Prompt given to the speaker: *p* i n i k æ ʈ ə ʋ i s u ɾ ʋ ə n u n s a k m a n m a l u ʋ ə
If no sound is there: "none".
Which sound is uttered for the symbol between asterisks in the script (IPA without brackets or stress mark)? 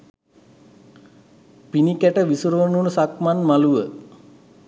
p